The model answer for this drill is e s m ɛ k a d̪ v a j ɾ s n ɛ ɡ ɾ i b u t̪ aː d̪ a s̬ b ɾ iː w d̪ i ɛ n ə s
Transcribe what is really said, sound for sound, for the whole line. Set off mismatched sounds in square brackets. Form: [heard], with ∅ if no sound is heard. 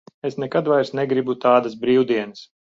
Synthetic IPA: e s [n] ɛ k a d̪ v a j ɾ s n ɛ ɡ ɾ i b u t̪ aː d̪ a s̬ b ɾ iː w d̪ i ɛ n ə s